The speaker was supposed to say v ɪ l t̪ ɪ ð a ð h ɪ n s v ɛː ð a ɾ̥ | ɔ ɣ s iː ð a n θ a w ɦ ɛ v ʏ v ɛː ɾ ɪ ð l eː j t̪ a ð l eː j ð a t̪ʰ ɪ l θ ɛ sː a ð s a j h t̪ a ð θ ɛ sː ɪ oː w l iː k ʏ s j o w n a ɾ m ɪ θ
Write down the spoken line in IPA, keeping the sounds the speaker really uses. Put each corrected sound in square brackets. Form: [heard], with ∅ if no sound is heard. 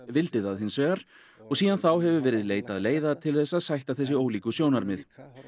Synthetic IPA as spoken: v ɪ l t̪ ɪ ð a ð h ɪ n s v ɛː [ɣ] a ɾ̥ | ɔ ɣ s iː ð a n θ a w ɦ ɛ v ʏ v ɛː ɾ ɪ ð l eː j t̪ a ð l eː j ð a t̪ʰ ɪ l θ ɛ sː a ð s a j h t̪ a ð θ ɛ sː ɪ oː w l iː k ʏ s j o w n a ɾ m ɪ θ